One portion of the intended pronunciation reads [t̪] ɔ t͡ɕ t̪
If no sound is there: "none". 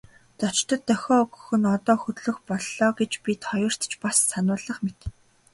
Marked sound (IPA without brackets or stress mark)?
t̪